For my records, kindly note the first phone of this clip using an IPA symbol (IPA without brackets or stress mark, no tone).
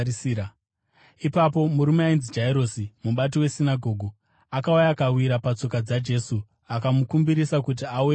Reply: i